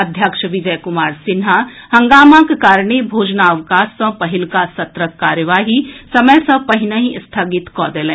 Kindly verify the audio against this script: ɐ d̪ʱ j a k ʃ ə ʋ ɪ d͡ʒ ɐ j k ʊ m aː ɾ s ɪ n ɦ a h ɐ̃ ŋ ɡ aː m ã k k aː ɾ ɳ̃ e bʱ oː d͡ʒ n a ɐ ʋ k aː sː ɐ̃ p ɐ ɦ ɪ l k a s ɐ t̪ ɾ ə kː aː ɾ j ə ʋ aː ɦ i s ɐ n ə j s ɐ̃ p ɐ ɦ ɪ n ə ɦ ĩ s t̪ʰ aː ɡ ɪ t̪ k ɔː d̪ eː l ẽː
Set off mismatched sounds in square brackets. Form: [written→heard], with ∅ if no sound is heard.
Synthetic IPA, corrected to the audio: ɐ d̪ʱ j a k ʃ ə ʋ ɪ d͡ʒ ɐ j k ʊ m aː ɾ s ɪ n ɦ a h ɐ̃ ŋ ɡ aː m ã k k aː ɾ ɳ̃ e bʱ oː d͡ʒ n a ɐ ʋ k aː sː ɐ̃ p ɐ ɦ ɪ l k a s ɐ t̪ ɾ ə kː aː ɾ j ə ʋ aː ɦ i s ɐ [n→m] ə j s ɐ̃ p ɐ ɦ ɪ n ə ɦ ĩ s t̪ʰ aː ɡ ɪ t̪ k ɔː d̪ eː l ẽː